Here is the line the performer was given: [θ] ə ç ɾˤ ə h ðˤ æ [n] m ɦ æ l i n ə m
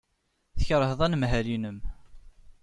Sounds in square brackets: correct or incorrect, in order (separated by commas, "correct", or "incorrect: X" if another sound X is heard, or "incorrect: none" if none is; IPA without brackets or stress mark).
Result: correct, correct